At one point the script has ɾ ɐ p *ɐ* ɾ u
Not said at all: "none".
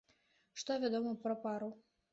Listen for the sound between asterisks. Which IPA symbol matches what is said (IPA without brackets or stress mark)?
a